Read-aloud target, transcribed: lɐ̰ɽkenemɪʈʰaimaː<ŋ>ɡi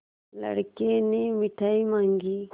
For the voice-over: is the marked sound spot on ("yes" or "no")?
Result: yes